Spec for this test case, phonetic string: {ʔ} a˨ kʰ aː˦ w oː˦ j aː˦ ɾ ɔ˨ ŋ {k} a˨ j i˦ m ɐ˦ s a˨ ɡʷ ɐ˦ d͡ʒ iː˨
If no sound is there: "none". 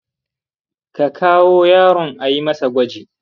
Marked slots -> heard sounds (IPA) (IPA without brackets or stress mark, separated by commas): k, ʔ